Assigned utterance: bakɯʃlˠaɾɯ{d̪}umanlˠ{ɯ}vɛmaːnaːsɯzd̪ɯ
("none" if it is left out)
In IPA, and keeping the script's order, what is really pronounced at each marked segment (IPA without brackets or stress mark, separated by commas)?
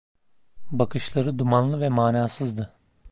d̪, ɯ